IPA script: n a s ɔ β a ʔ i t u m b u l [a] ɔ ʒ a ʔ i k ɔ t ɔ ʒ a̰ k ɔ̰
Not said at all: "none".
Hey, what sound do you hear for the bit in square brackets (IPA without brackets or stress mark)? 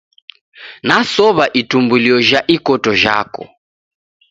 i